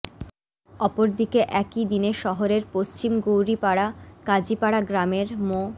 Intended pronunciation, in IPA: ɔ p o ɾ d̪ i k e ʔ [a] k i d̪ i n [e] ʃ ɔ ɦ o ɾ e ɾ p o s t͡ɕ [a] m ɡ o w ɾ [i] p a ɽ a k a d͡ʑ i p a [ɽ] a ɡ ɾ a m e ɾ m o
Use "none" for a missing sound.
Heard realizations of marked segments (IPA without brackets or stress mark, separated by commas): ɛ, e, i, i, ɽ